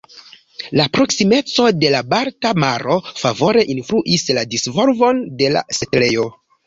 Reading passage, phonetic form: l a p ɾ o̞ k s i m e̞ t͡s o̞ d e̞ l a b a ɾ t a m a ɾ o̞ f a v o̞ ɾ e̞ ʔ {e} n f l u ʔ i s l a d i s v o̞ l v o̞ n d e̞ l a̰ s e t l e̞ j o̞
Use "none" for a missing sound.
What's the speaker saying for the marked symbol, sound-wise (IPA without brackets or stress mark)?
i